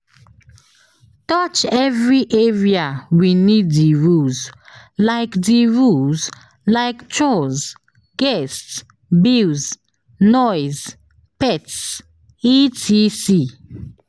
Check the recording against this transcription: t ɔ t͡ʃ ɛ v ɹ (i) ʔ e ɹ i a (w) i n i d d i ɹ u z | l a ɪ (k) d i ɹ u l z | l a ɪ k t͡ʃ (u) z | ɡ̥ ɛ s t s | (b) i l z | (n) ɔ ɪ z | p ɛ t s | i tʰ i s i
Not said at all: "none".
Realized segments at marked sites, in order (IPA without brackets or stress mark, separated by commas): i, w, k, ɔ, b, n